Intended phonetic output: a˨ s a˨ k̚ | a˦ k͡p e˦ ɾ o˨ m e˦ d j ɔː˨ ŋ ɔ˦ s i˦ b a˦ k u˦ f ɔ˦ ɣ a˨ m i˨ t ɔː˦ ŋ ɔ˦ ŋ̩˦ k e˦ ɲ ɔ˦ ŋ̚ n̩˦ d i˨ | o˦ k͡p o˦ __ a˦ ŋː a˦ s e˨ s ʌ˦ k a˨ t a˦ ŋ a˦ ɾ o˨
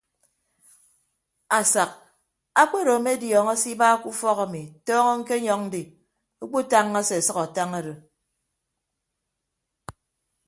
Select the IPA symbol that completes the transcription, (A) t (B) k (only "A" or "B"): A